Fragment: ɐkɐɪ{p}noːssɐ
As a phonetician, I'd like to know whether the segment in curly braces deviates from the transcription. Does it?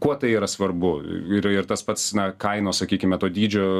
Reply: yes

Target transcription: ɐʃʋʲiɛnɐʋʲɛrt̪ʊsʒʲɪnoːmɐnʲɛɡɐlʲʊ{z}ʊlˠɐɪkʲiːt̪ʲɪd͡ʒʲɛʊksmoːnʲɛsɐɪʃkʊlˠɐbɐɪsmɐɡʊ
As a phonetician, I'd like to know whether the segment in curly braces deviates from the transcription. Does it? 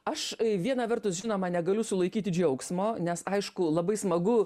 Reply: yes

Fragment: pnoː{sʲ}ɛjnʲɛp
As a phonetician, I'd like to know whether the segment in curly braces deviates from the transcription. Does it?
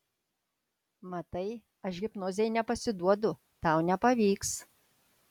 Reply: yes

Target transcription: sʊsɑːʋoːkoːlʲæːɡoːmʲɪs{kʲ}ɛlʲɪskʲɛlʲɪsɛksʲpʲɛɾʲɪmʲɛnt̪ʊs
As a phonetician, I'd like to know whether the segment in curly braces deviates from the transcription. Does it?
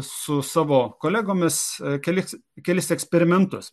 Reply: no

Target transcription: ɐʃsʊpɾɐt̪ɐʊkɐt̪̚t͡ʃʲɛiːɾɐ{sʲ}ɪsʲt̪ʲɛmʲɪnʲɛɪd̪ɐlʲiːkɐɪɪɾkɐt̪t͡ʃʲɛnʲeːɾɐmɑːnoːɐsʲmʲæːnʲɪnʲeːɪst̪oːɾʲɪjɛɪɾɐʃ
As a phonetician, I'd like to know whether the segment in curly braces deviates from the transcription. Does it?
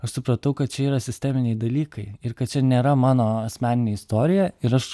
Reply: no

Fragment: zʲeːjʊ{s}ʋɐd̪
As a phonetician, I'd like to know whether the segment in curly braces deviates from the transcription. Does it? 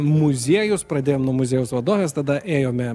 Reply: no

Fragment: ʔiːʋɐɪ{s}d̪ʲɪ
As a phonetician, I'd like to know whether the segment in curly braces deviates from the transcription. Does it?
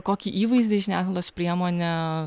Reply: yes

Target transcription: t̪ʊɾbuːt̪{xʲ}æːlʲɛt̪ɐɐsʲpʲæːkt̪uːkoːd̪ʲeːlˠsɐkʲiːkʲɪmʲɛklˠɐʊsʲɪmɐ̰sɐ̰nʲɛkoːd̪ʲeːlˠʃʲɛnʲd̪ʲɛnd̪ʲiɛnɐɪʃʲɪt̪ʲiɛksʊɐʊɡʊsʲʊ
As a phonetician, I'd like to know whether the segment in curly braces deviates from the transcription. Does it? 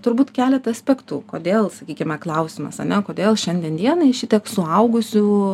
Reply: yes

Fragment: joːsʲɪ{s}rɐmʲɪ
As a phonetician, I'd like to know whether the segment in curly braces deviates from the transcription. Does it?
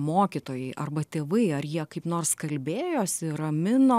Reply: yes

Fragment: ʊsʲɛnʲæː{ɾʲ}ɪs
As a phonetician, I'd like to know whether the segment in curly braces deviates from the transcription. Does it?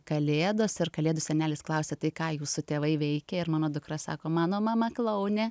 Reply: yes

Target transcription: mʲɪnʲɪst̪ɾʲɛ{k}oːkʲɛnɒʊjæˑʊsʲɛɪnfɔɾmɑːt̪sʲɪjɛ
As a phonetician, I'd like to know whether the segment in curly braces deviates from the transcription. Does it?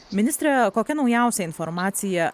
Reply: no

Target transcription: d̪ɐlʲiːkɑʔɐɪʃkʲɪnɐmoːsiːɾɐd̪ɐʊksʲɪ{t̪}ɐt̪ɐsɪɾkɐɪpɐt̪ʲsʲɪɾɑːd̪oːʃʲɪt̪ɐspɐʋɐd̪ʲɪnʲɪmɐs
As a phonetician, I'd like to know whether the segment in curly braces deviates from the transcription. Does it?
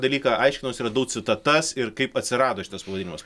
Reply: no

